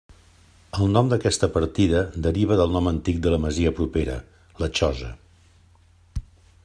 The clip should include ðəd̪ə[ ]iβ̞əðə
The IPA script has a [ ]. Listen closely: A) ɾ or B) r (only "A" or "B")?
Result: A